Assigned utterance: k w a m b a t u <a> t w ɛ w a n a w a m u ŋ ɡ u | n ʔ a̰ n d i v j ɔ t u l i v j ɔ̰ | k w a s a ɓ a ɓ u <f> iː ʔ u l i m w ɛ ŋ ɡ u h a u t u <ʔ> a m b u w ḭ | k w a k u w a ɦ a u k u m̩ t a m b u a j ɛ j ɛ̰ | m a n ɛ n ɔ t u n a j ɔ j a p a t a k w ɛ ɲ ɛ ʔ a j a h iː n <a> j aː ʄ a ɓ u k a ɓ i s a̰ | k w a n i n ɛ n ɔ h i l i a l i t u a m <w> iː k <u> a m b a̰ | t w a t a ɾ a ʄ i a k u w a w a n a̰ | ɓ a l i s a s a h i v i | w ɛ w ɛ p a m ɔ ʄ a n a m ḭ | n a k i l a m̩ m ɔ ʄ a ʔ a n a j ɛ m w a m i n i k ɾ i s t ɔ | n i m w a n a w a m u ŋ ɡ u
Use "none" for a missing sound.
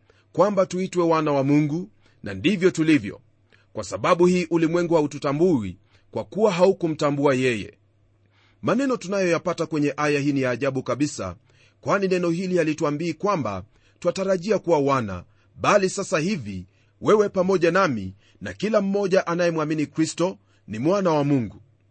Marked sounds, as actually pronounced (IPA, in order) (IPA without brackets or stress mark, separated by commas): i, h, t, i, b, w